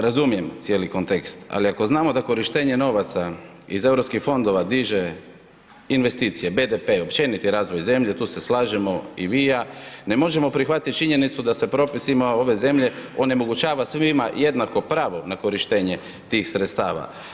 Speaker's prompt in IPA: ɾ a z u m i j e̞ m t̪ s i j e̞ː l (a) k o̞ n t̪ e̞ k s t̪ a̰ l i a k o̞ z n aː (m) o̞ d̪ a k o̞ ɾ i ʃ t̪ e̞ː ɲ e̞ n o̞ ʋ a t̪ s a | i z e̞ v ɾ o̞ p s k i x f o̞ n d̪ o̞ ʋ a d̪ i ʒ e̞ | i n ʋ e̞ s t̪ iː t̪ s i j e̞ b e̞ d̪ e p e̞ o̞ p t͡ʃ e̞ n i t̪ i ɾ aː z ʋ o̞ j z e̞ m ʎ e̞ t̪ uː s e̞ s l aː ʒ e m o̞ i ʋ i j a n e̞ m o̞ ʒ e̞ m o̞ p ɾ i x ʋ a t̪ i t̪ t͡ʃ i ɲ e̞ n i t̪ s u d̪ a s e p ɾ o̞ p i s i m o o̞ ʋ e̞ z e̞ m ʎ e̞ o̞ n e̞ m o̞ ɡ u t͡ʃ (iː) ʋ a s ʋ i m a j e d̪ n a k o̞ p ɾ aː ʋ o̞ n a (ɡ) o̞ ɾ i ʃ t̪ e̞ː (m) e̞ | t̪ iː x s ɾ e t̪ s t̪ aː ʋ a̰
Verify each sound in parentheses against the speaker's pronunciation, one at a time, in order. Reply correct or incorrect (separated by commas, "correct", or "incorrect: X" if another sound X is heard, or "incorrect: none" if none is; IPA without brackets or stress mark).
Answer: incorrect: i, correct, incorrect: aː, incorrect: k, incorrect: ɲ